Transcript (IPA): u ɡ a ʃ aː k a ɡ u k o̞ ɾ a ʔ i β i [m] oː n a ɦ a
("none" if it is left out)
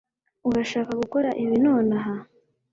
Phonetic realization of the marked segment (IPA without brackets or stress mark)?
n